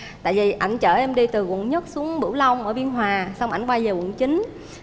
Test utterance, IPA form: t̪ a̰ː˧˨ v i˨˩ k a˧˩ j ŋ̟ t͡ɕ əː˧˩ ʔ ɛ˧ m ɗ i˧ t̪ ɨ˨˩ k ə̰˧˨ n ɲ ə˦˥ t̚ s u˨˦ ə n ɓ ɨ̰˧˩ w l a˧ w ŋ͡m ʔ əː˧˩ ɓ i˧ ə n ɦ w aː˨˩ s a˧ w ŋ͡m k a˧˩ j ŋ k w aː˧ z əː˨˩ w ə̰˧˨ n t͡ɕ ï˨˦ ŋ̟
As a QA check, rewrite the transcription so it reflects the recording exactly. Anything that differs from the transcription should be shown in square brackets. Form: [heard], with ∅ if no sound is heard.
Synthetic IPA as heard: t̪ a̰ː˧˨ v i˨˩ [ʔ] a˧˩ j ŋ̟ t͡ɕ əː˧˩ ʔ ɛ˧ m ɗ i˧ t̪ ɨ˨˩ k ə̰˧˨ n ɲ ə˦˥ t̚ s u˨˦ ə [ŋ] ɓ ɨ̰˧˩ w l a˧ w ŋ͡m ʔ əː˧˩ ɓ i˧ ə n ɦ w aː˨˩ s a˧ w ŋ͡m [ʔ] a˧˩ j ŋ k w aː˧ z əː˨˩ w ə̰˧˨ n t͡ɕ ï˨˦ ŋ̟

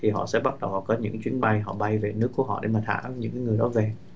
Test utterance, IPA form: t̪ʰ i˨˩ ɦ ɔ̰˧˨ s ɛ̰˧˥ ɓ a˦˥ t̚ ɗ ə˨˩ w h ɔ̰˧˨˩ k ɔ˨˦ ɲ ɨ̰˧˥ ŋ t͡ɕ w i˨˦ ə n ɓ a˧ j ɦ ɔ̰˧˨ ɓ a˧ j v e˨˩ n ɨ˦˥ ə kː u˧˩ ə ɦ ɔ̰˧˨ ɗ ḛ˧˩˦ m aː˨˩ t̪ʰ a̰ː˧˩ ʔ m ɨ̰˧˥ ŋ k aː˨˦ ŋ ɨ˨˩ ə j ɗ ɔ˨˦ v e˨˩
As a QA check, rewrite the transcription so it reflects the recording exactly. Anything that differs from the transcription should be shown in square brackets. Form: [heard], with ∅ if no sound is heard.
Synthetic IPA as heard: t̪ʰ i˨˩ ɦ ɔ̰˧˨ s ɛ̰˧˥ ɓ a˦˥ t̚ ɗ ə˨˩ w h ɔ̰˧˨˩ k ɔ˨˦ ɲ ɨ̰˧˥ ŋ t͡ɕ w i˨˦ ə n ɓ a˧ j ɦ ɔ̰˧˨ ɓ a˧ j v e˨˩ n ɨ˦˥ ə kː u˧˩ ə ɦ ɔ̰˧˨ ɗ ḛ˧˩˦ m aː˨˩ t̪ʰ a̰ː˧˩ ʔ [ɲ] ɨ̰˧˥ ŋ k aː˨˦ ŋ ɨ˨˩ ə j ɗ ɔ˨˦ v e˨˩

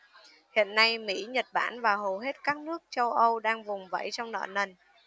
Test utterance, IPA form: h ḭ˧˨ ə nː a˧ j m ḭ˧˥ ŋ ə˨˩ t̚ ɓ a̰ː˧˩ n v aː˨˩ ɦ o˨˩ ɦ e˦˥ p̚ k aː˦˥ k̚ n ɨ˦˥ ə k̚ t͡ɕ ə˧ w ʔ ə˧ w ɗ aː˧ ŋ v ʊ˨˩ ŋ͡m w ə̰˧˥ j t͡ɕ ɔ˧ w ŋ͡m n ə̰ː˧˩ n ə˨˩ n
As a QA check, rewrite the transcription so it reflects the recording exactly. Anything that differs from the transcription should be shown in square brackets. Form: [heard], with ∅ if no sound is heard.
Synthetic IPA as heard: h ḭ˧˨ ə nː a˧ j m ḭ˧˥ [ɲ] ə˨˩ t̚ ɓ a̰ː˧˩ n v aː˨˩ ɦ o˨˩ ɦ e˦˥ [t̚] k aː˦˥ k̚ n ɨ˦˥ ə k̚ t͡ɕ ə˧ w ʔ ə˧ w ɗ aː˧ ŋ v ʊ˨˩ ŋ͡m [v] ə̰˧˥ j t͡ɕ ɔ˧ w ŋ͡m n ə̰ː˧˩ n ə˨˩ n

